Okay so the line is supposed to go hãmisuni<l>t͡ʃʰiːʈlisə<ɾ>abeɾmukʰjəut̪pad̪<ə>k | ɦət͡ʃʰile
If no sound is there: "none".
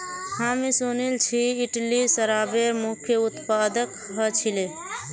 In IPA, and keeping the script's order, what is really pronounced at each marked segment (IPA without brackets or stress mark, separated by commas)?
l, ɾ, ə